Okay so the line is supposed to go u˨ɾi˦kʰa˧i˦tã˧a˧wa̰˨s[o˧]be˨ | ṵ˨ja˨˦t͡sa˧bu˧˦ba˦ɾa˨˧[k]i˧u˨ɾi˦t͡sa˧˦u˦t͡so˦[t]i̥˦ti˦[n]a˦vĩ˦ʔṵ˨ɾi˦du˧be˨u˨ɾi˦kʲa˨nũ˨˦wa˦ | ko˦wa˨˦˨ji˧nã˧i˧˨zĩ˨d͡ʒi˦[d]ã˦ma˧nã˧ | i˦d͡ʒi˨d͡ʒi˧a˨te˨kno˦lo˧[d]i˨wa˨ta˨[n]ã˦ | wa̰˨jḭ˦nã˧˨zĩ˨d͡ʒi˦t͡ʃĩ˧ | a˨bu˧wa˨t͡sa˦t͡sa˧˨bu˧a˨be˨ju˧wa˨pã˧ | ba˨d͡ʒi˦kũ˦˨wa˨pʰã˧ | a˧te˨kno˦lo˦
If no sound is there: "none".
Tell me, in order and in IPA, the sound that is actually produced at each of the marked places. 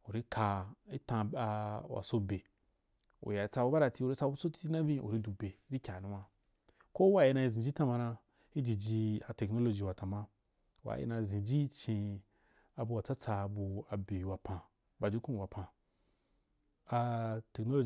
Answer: o˧, t, t, n, t, d͡ʒ, m

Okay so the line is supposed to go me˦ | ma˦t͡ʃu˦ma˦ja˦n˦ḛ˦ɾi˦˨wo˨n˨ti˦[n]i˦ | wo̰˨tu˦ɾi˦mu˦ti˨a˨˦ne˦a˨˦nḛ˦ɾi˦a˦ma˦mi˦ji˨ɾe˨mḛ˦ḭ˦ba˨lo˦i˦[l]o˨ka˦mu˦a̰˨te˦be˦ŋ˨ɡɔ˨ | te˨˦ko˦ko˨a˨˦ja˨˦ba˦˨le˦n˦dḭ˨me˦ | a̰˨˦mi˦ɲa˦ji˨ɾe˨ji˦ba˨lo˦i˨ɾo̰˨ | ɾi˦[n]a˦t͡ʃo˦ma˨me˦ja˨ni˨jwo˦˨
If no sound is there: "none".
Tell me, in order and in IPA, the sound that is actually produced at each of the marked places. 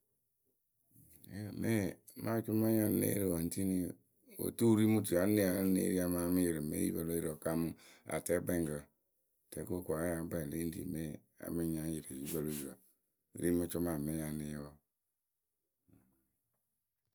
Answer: n, ɾ, m

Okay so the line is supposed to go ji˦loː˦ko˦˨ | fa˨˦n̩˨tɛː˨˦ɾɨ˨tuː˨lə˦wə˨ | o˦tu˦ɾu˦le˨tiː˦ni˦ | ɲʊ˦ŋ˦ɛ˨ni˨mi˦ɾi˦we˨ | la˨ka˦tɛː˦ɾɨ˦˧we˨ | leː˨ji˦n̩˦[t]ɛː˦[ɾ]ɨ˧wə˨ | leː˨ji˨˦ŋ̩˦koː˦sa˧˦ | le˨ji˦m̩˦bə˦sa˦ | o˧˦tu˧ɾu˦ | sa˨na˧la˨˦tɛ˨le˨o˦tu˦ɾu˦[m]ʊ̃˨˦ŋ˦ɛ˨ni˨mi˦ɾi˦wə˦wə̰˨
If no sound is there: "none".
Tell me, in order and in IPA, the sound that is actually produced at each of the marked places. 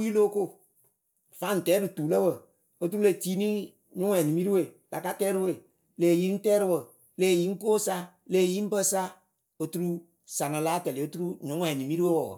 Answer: t, ɾ, ɲ

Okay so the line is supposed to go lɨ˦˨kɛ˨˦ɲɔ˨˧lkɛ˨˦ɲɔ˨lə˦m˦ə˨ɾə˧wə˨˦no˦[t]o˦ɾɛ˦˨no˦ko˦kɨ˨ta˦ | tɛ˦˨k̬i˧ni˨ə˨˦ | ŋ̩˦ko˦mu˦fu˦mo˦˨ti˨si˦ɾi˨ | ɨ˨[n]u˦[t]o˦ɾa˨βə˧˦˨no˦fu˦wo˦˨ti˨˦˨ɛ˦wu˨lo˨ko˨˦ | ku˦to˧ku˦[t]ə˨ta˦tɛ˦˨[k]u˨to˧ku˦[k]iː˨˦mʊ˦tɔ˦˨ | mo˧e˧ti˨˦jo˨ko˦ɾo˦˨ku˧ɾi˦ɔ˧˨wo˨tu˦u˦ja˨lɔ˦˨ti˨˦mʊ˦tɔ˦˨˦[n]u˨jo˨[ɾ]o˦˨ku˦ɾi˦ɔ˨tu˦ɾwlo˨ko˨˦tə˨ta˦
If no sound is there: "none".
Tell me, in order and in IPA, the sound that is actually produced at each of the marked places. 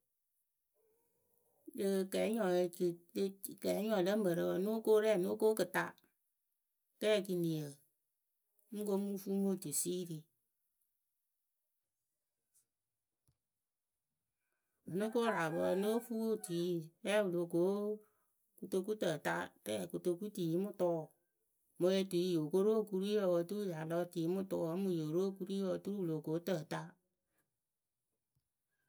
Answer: k, n, k, t, k, t, m, ɾ

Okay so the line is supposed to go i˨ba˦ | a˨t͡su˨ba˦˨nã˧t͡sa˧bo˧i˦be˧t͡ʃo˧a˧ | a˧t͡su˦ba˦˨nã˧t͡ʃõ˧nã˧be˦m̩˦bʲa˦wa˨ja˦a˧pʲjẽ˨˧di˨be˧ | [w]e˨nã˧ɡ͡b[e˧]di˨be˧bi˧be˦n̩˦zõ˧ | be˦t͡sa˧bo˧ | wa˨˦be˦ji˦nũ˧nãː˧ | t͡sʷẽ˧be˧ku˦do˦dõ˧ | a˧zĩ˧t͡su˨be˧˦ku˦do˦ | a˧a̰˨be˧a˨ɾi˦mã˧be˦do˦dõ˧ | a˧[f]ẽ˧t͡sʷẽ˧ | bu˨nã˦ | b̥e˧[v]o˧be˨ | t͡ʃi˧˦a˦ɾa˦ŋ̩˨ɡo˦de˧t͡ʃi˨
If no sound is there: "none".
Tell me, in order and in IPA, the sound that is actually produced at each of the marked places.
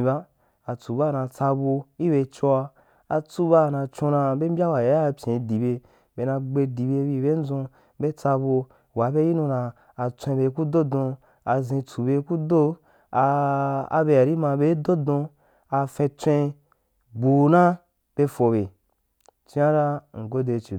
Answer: b, e˧, f, f

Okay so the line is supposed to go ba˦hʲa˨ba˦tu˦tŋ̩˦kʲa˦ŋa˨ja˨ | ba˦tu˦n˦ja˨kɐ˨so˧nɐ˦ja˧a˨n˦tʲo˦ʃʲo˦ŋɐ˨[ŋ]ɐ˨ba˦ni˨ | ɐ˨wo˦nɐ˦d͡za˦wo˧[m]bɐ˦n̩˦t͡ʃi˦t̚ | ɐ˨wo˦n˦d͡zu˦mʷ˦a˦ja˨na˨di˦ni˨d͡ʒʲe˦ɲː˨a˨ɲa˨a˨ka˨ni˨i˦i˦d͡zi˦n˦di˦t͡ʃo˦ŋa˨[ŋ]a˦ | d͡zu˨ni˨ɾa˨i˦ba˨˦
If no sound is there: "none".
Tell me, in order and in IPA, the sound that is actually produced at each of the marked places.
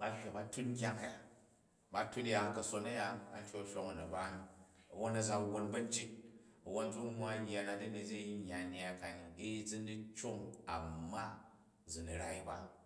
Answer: n, n, m

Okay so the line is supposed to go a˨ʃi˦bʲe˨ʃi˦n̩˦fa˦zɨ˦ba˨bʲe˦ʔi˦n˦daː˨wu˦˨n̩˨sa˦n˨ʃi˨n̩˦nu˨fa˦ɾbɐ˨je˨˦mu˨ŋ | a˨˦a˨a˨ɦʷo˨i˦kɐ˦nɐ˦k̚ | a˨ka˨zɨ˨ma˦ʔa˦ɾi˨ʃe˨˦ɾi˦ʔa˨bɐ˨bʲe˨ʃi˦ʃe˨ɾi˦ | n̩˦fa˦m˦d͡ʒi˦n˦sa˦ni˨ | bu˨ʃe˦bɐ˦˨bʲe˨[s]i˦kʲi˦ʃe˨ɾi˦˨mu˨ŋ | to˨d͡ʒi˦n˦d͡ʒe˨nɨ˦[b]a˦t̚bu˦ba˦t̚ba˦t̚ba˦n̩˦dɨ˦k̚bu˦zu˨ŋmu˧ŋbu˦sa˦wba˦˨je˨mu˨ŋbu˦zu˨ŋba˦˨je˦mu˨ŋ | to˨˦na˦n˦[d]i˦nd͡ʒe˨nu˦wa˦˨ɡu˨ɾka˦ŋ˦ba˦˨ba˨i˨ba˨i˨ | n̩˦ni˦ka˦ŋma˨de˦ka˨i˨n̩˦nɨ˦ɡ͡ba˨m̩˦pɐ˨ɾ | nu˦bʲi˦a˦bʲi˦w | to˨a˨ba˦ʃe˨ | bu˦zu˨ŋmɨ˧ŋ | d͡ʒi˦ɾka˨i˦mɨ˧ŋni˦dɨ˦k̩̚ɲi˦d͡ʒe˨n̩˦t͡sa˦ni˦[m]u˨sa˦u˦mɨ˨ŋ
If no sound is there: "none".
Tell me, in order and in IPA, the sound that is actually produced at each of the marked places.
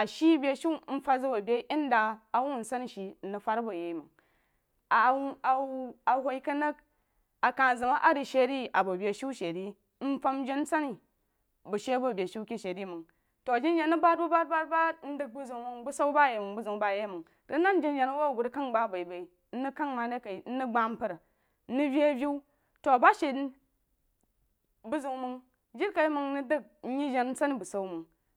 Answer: ʃ, b, d͡ʒ, b

